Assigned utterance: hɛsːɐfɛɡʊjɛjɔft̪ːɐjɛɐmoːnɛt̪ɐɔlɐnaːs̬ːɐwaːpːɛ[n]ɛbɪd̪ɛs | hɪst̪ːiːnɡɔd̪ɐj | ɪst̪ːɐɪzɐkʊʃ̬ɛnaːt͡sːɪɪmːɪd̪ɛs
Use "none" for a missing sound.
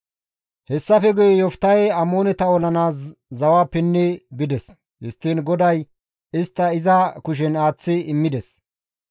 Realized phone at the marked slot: nː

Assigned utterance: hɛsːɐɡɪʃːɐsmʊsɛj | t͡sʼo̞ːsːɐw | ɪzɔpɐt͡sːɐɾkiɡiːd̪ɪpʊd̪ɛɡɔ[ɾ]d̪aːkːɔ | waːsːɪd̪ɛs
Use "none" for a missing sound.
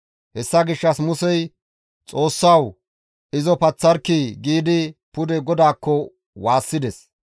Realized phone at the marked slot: none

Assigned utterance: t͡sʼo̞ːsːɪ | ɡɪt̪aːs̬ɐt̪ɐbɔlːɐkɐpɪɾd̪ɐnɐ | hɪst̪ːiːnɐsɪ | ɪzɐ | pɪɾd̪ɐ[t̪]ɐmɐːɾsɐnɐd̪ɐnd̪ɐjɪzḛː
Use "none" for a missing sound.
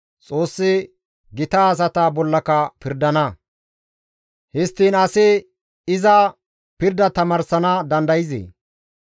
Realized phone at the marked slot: t̪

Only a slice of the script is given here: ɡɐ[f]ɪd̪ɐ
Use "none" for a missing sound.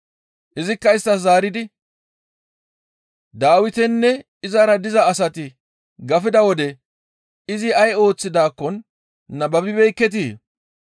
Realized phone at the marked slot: f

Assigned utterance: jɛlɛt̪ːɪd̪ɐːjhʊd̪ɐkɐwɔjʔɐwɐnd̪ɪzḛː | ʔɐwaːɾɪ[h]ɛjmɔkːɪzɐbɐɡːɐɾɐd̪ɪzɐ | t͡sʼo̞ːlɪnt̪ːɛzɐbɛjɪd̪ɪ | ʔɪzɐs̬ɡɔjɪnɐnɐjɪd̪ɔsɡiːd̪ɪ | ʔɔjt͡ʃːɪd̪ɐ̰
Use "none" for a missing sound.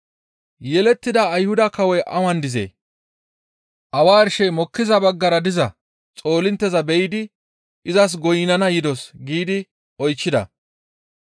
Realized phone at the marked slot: ʃ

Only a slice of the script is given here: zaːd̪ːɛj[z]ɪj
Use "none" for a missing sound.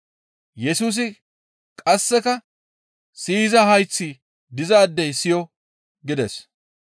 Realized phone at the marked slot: s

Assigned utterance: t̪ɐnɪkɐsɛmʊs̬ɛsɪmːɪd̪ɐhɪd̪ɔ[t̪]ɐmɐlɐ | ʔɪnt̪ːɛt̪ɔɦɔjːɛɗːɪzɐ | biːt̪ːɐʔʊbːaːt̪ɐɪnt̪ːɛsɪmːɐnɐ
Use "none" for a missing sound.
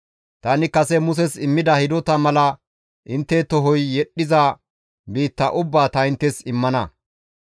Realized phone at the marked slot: t̪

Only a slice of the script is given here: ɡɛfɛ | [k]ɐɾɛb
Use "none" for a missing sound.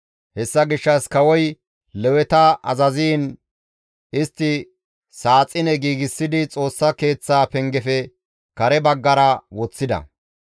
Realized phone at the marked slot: k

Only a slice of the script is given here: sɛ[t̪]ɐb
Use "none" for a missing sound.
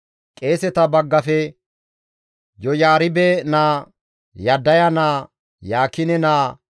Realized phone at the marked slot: t̪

